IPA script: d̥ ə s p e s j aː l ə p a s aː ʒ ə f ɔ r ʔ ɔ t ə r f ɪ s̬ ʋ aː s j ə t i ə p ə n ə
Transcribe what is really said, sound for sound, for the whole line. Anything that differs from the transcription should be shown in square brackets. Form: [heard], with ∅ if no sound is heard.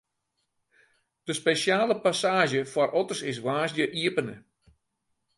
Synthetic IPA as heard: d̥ ə s p e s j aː l ə p a s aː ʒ ə f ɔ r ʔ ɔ t ə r [s] ɪ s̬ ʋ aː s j ə [ʔ] i ə p ə n ə